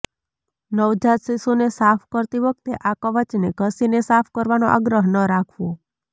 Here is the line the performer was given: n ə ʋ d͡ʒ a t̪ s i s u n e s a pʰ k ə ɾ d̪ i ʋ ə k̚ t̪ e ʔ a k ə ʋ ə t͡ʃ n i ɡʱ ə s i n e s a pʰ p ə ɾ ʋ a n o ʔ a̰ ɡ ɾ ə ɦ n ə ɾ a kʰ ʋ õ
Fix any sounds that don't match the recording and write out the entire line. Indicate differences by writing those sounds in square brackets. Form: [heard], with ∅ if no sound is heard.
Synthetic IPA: n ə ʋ d͡ʒ a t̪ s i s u n e s a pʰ k ə ɾ [t̪] i ʋ ə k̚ t̪ e ʔ a k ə ʋ ə t͡ʃ n [e] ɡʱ ə s i n e s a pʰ [k] ə ɾ ʋ a n o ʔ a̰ ɡ ɾ ə ɦ n ə ɾ a kʰ ʋ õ